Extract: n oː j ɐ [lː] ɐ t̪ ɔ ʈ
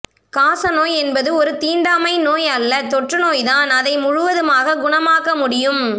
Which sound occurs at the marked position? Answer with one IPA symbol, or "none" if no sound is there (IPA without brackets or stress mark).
lː